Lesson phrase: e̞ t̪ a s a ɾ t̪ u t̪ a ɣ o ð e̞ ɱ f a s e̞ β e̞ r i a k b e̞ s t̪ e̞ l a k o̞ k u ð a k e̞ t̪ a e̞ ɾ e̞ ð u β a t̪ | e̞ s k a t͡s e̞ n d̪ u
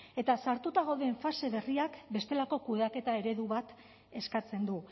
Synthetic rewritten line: e̞ t̪ a s a ɾ t̪ u t̪ a ɣ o ð e̞ ɱ f a s e̞ β e̞ r i a k b e̞ s t̪ e̞ l a k o̞ k u ð a k e̞ t̪ a e̞ ɾ e̞ ð u β a t̪ | e̞ s k a t͡s e̞ n d̪ u